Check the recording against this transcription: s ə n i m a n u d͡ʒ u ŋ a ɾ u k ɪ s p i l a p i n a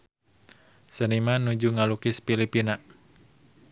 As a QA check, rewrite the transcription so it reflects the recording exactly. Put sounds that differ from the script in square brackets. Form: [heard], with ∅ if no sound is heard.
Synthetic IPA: s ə n i m a n u d͡ʒ u ŋ a [l] u k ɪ s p i l [i] p i n a

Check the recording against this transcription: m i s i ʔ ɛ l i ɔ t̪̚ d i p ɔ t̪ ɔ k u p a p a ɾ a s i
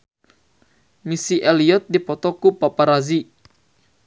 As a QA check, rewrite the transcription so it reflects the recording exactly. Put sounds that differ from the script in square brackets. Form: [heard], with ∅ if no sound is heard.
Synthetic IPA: m i s i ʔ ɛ l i ɔ t̪̚ d i p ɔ t̪ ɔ k u p a p a ɾ a [z] i

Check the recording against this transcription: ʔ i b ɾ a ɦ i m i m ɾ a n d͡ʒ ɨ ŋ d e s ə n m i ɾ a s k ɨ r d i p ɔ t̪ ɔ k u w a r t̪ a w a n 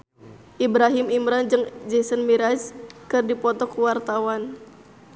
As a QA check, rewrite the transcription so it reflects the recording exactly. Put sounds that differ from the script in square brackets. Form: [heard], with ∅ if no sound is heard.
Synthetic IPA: ʔ i b ɾ a ɦ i m i m ɾ a n d͡ʒ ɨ ŋ [d͡ʒ] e s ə n m i ɾ a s k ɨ r d i p ɔ t̪ ɔ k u w a r t̪ a w a n

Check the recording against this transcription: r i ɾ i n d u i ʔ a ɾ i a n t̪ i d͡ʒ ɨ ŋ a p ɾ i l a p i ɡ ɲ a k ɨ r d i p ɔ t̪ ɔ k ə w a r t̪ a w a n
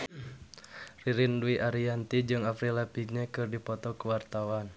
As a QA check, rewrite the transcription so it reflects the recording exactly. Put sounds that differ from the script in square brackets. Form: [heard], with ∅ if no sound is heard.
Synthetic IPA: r i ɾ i n d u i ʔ a ɾ i a n t̪ i d͡ʒ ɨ ŋ a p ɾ i l a p i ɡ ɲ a k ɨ r d i p ɔ t̪ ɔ k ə w a r t̪ a w a n

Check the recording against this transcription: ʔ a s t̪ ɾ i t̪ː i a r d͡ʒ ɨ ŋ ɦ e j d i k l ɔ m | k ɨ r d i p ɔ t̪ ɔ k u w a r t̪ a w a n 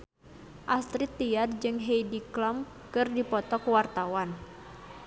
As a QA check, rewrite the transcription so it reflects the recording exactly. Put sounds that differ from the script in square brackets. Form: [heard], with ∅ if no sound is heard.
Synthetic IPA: ʔ a s t̪ ɾ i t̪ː i a r d͡ʒ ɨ ŋ ɦ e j d i k l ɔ m | k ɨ r d i p ɔ t̪ ɔ k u w a r t̪ a w a n

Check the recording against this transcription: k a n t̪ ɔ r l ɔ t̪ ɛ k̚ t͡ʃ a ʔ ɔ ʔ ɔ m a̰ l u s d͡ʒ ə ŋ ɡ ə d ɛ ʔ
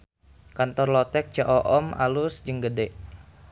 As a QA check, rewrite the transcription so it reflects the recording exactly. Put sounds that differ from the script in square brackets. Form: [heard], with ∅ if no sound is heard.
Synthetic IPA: k a n t̪ ɔ r l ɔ t̪ ɛ k̚ t͡ʃ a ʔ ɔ ʔ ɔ m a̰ l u s d͡ʒ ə ŋ ɡ ə d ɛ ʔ

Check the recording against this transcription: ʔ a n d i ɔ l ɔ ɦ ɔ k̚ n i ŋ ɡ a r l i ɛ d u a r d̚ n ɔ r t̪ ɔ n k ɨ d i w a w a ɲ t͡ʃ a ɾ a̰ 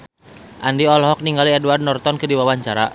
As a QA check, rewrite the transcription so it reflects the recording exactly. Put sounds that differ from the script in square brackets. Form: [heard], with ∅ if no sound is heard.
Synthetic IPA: ʔ a n d i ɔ l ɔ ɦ ɔ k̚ n i ŋ ɡ a [∅] l i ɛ d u a r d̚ n ɔ r t̪ ɔ n k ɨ d i w a w a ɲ t͡ʃ a ɾ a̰

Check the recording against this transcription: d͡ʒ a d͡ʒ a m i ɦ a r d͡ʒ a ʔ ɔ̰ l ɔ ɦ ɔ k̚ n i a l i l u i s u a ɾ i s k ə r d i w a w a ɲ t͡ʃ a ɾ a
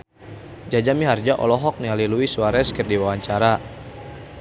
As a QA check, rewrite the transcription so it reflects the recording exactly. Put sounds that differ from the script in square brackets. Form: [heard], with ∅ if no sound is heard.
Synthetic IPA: d͡ʒ a d͡ʒ a m i ɦ a r d͡ʒ a ʔ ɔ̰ l ɔ ɦ ɔ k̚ n i a l i l u i s u a ɾ [ɛ] s k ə r d i w a w a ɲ t͡ʃ a ɾ a

